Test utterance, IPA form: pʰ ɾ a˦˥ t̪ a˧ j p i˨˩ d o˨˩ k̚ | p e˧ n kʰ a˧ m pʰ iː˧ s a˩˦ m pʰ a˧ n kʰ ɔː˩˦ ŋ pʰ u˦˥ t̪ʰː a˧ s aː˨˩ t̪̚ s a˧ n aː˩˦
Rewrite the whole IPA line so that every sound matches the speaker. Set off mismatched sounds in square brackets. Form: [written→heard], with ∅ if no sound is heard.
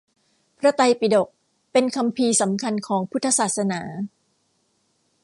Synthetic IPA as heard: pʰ ɾ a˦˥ t̪ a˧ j p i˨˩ d o˨˩ k̚ | p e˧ n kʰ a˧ m pʰ iː˧ s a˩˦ m [pʰ→kʰ] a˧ n kʰ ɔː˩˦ ŋ pʰ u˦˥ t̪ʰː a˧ s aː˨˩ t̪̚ s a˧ n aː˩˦